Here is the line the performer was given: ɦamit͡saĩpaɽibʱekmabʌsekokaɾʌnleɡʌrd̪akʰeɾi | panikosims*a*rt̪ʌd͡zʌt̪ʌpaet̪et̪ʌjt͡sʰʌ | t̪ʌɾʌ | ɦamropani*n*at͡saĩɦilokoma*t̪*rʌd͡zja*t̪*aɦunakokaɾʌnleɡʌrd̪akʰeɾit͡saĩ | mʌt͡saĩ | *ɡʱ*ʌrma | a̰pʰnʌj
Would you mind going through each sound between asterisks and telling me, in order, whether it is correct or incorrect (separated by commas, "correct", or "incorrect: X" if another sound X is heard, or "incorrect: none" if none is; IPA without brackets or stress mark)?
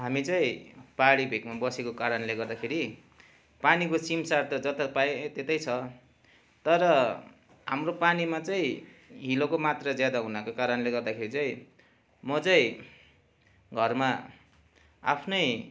correct, incorrect: m, correct, incorrect: d̪, correct